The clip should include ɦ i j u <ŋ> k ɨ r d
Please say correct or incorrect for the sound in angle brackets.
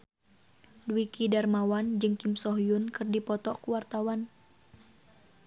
incorrect